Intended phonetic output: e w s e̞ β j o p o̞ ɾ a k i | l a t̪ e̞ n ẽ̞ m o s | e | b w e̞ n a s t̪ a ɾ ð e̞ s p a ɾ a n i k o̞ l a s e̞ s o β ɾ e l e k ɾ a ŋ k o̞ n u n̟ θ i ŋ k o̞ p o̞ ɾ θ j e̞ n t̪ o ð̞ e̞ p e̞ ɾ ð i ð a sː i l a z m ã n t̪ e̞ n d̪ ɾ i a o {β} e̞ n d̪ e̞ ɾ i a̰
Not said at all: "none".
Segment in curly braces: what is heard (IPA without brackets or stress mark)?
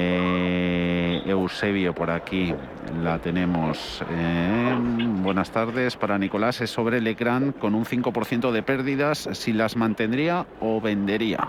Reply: β